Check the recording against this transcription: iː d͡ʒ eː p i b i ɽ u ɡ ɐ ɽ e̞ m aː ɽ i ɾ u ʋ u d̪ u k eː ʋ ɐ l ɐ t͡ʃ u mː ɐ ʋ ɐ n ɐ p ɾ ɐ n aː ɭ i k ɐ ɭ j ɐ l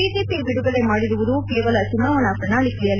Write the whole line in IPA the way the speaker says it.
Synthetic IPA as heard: iː d͡ʒ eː p i b i ɽ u ɡ ɐ ɭ e̞ m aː ɽ i ɾ u ʋ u d̪ u k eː ʋ ɐ l ɐ t͡ʃ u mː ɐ ʋ ɐ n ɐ p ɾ ɐ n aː ɭ i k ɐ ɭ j ɐ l

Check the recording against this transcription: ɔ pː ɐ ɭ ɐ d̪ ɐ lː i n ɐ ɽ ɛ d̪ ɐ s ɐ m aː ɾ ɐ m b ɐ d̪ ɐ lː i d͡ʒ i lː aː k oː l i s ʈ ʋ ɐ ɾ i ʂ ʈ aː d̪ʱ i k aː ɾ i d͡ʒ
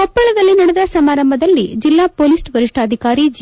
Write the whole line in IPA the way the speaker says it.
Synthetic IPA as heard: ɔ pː ɐ ɭ ɐ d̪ ɐ lː i n ɐ ɽ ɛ d̪ ɐ s ɐ m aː ɾ ɐ m b ɐ d̪ ɐ lː i d͡ʒ i lː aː p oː l i s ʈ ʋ ɐ ɾ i ʂ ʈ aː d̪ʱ i k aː ɾ i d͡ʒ

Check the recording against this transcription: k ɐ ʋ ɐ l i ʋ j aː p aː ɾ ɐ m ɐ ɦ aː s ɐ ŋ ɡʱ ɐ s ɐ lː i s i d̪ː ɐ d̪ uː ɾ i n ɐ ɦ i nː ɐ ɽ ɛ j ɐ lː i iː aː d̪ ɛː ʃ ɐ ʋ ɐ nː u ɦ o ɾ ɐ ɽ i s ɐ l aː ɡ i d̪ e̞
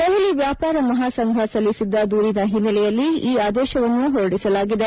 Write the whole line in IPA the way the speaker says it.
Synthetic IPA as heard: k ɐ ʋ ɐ l i ʋ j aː p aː ɾ ɐ m ɐ ɦ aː s ɐ ŋ ɡʱ ɐ s ɐ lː i s i d̪ː ɐ d̪ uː ɾ i n ɐ ɦ i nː ɐ l ɛ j ɐ lː i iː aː d̪ ɛː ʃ ɐ ʋ ɐ nː u ɦ o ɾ ɐ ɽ i s ɐ l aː ɡ i d̪ e̞

